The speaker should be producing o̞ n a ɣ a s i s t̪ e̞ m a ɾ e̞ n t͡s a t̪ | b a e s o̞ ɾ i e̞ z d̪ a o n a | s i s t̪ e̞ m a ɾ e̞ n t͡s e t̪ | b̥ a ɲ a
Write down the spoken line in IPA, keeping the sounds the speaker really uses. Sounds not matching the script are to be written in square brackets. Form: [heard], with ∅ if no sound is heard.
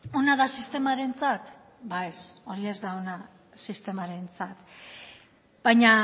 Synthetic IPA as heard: o̞ n a [ð] a s i s t̪ e̞ m a ɾ e̞ n t͡s a t̪ | b a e s o̞ ɾ i e̞ z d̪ a o n a | s i s t̪ e̞ m a ɾ e̞ n t͡s [a] t̪ | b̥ a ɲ a